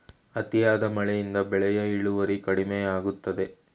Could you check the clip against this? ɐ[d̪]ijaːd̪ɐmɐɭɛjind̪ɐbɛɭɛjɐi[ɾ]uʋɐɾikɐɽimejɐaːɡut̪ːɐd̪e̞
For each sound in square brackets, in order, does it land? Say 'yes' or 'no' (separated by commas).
no, no